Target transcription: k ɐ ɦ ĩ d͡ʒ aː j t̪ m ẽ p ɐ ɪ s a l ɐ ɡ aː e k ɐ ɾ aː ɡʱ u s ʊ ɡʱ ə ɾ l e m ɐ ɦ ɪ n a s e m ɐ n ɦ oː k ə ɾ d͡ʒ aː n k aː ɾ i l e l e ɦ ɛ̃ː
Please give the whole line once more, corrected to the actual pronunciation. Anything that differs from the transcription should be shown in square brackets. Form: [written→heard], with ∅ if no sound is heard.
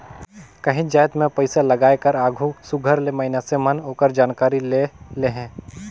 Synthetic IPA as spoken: k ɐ ɦ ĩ d͡ʒ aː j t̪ m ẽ p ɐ ɪ s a l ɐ ɡ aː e k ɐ ɾ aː ɡʱ u s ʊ ɡʱ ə ɾ l e m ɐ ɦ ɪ n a s e m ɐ n ɦ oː k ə ɾ d͡ʒ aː n k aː ɾ i l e l e ɦ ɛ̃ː